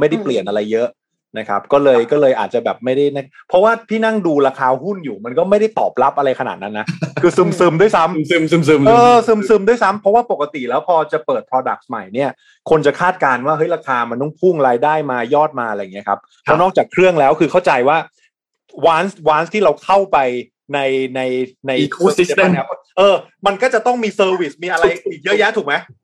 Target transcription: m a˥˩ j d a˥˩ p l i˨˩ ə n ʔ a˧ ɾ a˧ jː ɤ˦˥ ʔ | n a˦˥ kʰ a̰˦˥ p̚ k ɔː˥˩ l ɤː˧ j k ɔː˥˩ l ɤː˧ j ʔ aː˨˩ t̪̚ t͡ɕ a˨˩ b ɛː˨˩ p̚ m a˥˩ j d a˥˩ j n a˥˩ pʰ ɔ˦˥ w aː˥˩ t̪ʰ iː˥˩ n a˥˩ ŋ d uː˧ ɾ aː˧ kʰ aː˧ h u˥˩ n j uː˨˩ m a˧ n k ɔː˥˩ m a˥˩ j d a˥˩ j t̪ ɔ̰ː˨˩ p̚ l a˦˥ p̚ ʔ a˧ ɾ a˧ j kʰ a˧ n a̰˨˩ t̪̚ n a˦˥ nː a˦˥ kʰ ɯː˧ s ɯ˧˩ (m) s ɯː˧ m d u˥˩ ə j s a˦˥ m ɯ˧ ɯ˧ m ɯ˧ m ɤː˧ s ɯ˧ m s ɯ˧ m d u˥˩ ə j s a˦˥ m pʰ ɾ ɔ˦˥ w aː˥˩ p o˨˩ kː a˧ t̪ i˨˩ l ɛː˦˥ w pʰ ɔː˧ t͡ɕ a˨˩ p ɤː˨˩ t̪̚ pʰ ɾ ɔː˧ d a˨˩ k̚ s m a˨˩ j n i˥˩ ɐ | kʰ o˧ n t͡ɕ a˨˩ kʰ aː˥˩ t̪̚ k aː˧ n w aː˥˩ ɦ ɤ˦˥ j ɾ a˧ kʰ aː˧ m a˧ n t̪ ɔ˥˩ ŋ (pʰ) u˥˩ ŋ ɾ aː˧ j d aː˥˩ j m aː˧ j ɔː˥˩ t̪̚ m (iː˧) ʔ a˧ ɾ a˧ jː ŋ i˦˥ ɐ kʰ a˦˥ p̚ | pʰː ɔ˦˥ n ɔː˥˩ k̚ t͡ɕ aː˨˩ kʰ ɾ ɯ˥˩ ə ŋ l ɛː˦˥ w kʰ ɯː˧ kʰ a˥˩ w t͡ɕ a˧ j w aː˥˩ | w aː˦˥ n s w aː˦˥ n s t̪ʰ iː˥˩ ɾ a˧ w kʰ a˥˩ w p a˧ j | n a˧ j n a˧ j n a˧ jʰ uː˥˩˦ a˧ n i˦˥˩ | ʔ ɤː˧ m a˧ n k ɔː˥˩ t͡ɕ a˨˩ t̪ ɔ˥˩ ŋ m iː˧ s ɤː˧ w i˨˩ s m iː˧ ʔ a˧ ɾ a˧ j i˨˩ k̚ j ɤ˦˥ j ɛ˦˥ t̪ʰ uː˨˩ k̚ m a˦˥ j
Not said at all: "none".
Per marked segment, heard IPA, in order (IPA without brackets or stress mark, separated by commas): m, pʰ, aː˧